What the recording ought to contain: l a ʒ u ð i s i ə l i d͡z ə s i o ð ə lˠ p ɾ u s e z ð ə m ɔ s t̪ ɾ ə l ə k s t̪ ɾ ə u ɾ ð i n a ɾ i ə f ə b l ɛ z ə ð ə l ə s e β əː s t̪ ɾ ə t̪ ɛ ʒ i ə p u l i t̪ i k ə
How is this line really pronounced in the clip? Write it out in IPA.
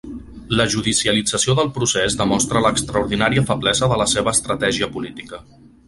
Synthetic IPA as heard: l ə ʒ u ð i s i ə l i d͡z ə s i o ð ə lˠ p ɾ u s e z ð ə m ɔ s t̪ ɾ ə l ə k s t̪ ɾ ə u ɾ ð i n a ɾ i ə f ə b l ɛ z ə ð ə l ə s e β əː s t̪ ɾ ə t̪ ɛ ʒ i ə p u l i t̪ i k ə